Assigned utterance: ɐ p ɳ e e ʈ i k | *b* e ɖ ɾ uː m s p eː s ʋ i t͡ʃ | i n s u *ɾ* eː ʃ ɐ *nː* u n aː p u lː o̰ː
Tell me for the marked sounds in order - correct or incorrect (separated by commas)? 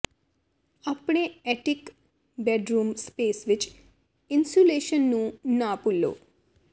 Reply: correct, incorrect, correct